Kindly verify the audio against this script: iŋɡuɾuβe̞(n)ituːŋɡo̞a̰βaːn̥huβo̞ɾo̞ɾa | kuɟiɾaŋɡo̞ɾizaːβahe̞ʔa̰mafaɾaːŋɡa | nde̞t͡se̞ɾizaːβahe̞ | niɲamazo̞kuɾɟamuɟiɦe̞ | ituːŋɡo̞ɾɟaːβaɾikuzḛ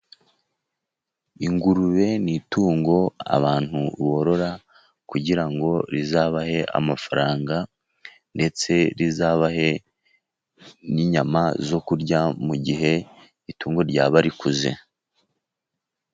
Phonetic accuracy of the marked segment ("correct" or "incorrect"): correct